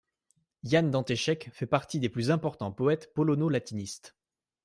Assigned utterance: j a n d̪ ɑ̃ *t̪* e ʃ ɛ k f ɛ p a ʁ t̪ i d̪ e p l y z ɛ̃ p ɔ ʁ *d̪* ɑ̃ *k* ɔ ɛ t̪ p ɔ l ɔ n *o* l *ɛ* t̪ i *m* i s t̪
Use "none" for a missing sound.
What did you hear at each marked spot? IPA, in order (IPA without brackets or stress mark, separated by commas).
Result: t̪, t̪, p, o, a, n